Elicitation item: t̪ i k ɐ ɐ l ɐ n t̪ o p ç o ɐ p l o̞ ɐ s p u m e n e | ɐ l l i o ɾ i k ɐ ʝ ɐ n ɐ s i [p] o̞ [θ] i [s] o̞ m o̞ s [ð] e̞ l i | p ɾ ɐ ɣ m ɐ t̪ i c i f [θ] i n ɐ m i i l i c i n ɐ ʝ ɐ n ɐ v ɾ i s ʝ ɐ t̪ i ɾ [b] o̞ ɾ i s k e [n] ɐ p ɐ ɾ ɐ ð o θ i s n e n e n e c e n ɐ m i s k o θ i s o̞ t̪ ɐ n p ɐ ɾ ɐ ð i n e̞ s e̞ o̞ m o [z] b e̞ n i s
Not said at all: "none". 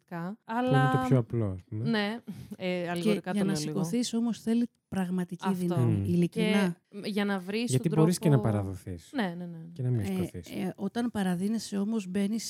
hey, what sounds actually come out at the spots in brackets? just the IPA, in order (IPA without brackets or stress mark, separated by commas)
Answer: k, θ, s, θ, ð, b, n, z